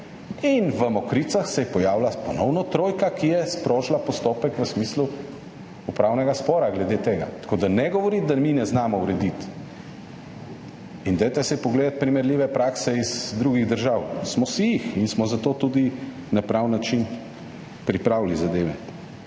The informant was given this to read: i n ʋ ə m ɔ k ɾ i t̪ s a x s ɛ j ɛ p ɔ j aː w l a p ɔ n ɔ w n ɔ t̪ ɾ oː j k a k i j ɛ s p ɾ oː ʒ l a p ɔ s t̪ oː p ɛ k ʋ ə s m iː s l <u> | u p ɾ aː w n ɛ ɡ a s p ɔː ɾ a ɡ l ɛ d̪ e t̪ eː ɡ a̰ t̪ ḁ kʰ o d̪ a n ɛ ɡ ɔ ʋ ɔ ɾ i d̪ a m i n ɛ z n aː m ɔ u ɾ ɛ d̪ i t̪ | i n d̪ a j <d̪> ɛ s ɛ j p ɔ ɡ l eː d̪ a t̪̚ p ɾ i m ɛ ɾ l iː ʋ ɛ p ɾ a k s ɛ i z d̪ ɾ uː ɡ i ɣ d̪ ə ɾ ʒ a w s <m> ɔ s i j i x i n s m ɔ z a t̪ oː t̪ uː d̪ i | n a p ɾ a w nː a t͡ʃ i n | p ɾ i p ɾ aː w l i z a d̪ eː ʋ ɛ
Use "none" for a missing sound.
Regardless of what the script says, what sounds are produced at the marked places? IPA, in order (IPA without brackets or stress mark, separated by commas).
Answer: u, t̪, m